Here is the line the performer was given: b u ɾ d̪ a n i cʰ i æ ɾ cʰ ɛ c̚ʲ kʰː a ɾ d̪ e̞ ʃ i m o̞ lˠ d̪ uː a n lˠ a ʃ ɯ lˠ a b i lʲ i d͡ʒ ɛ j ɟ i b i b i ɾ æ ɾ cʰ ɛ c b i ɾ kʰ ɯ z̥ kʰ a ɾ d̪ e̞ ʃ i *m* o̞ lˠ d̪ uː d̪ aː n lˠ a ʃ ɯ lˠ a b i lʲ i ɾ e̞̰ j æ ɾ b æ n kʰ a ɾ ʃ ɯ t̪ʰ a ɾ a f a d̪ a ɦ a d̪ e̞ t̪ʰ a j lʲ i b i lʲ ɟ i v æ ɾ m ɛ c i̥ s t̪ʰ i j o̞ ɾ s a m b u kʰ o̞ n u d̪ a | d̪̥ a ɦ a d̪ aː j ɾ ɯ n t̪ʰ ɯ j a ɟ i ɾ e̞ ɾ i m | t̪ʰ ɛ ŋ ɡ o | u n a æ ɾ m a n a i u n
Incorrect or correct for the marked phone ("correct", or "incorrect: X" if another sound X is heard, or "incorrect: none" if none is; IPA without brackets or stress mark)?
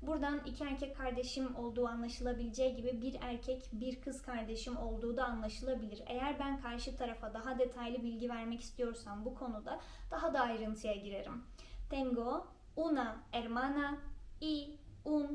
correct